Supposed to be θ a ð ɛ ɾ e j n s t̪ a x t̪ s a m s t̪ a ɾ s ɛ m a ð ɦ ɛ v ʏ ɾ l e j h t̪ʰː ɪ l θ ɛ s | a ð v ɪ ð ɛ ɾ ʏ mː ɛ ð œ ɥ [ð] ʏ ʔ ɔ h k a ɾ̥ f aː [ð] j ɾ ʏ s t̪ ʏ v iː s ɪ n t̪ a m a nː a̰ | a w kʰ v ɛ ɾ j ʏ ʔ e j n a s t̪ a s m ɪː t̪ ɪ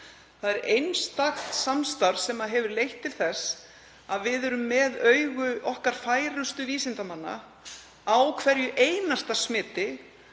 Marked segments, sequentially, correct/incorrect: incorrect, incorrect

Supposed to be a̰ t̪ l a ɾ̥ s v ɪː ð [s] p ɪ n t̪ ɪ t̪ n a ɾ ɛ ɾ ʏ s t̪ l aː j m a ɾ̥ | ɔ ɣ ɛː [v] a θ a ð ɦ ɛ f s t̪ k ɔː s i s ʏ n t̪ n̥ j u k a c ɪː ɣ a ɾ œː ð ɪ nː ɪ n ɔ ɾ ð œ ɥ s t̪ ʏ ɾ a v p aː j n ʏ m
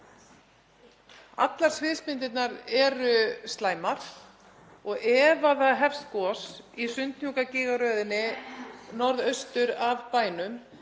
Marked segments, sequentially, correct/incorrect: correct, correct

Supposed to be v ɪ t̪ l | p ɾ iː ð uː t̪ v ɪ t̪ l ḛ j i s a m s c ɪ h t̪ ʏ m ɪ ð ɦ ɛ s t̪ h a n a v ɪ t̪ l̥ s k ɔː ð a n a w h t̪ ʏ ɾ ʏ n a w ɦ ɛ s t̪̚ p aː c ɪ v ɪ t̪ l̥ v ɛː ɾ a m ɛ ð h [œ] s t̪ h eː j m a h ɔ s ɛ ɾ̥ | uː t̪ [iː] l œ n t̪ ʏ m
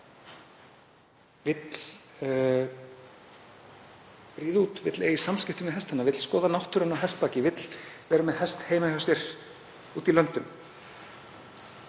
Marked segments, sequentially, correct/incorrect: incorrect, incorrect

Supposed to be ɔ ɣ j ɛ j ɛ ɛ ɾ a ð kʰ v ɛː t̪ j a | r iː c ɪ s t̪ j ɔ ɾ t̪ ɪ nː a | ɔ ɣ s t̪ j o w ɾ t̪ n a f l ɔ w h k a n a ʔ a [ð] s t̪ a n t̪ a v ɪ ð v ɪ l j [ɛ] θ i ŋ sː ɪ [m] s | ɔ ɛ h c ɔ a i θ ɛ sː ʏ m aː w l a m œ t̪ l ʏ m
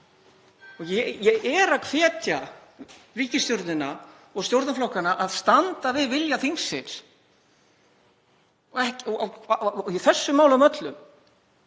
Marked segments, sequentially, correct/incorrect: correct, incorrect, incorrect

